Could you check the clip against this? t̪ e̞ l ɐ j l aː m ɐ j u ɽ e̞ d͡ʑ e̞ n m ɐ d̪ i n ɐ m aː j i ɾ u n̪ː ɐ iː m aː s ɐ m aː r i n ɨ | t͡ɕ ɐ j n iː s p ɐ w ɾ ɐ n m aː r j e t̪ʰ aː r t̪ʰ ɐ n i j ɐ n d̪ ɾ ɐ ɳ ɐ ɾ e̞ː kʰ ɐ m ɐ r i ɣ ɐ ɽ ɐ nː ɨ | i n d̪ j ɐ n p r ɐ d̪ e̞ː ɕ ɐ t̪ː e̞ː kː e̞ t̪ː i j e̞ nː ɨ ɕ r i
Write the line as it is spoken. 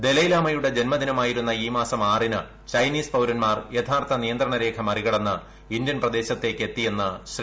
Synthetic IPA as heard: d̪ e̞ l ɐ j l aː m ɐ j u ɽ e̞ d͡ʑ e̞ n m ɐ d̪ i n ɐ m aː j i ɾ u n̪ː ɐ iː m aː s ɐ m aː r i n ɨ | t͡ɕ ɐ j n iː s p ɐ w ɾ ɐ n m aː r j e t̪ʰ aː r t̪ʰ ɐ n i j ɐ n d̪ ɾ ɐ ɳ ɐ ɾ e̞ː kʰ ɐ m ɐ r i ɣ ɐ ɽ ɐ nː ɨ | i n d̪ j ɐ n p r ɐ d̪ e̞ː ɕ ɐ t̪ː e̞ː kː e̞ t̪ː i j e̞ nː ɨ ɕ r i